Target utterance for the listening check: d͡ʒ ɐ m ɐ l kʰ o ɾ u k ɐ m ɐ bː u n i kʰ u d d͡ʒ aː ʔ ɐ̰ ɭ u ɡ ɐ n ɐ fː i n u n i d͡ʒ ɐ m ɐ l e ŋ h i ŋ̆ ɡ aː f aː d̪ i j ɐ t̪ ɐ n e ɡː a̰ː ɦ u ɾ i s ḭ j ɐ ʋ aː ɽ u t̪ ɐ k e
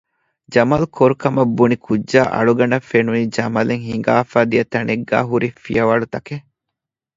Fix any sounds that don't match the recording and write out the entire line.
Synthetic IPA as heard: d͡ʒ ɐ m ɐ l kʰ o ɾ u k ɐ m ɐ bː u n i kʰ u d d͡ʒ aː ʔ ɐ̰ ɭ u ɡ ɐ n ɐ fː e n u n i d͡ʒ ɐ m ɐ l e ŋ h i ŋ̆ ɡ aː f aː d̪ i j ɐ t̪ ɐ n e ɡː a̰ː ɦ u ɾ i f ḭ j ɐ ʋ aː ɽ u t̪ ɐ k e